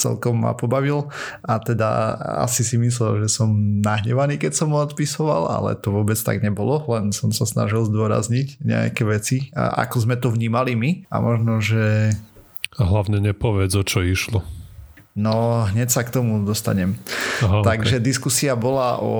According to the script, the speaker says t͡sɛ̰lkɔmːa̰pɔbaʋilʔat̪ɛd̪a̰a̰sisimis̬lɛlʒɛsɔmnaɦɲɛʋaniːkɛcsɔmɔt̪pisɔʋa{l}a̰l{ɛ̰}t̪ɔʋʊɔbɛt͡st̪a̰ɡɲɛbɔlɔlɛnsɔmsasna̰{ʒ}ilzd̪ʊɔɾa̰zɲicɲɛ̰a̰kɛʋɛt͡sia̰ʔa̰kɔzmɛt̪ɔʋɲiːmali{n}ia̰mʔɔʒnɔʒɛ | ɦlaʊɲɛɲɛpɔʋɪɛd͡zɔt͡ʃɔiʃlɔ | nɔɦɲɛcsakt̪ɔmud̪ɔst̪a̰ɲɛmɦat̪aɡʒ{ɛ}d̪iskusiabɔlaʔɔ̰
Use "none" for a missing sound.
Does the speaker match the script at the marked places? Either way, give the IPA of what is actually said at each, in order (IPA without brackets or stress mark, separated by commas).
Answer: l, ɛ̰, ʒ, m, ɛ